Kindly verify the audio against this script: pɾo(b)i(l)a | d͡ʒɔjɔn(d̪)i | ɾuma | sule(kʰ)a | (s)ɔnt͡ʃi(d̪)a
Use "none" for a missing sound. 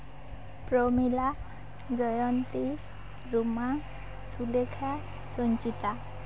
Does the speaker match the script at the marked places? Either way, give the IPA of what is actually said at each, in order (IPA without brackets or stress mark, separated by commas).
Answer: m, l, t̪, kʰ, s, t̪